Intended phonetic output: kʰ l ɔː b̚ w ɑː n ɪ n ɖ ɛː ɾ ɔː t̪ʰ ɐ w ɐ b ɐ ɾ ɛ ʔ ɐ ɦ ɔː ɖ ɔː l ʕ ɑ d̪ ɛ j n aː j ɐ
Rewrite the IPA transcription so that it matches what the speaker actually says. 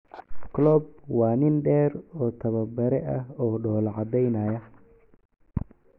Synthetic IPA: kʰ l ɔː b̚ w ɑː n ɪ n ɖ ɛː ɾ ɔː t̪ʰ ɐ β ɐ b ɐ ɾ ɛ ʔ ɐ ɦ ɔː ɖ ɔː l ʕ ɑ d̪ ɛ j n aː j ɐ